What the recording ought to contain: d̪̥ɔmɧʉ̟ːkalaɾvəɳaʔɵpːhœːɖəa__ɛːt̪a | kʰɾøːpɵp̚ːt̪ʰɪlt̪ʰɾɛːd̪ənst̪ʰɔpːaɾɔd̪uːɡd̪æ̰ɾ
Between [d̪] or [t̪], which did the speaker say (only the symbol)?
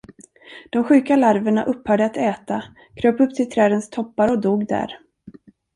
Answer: t̪